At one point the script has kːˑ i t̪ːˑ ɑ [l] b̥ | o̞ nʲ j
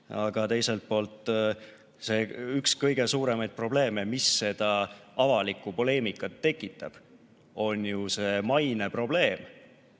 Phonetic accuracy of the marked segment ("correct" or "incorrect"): incorrect